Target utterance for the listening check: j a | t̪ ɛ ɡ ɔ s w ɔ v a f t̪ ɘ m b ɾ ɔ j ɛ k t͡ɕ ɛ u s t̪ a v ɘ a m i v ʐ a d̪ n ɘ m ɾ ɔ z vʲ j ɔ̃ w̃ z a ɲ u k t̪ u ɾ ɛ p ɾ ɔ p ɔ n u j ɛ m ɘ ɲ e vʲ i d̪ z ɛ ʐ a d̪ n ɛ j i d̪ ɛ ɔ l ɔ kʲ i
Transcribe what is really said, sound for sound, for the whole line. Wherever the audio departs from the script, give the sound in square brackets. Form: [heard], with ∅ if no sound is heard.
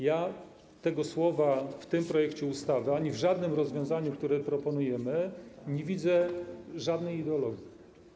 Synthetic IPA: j a | t̪ ɛ ɡ ɔ s w ɔ v a f t̪ ɘ m [p] ɾ ɔ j ɛ k t͡ɕ ɛ u s t̪ a v ɘ a [ɲ] i v ʐ a d̪ n ɘ m ɾ ɔ z vʲ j ɔ̃ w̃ z a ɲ u k t̪ u ɾ ɛ p ɾ ɔ p ɔ n u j ɛ m ɘ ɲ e vʲ i d̪ z ɛ ʐ a d̪ n ɛ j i d̪ ɛ ɔ l ɔ [ɡʲ] i